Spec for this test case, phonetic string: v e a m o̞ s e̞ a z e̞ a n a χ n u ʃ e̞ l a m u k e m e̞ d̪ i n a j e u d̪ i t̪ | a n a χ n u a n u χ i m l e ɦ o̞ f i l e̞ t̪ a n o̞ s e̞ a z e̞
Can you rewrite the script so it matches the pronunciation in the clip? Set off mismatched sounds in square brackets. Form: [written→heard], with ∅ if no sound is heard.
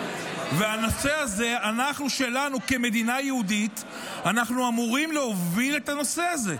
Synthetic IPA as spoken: v e a [m→n] o̞ s e̞ a z e̞ a n a χ n u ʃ e̞ l a [m→n] u k e m e̞ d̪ i n a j e u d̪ i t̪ | a n a χ n u a [n→m] u [χ→ʁ] i m l e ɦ o̞ [f→v] i l e̞ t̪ a n o̞ s e̞ a z e̞